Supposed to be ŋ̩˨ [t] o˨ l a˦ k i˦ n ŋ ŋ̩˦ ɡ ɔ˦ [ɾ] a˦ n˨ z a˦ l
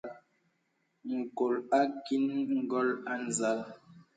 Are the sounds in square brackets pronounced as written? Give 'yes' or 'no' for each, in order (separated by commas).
no, no